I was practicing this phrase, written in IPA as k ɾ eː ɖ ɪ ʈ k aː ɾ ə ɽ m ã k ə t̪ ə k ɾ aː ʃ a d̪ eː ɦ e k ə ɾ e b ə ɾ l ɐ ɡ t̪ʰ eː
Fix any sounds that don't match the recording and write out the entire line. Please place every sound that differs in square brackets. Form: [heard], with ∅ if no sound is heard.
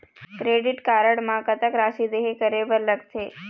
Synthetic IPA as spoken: k ɾ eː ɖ ɪ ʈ k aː ɾ ə ɽ m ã k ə t̪ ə k ɾ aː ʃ [i] d̪ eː ɦ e k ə ɾ e b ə ɾ l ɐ ɡ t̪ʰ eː